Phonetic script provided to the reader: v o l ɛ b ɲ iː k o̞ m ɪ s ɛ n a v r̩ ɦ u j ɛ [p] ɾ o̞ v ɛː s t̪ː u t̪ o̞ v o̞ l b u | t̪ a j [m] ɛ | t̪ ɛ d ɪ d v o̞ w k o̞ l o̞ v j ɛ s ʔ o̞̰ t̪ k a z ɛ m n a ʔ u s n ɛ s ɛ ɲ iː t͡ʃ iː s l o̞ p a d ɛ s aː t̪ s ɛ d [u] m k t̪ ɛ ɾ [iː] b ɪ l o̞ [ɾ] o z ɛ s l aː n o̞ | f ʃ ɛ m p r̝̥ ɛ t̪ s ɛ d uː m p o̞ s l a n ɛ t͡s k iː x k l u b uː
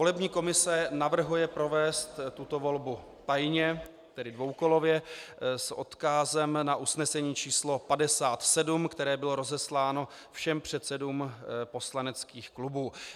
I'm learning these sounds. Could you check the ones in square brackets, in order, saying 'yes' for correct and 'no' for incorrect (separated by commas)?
yes, no, yes, no, yes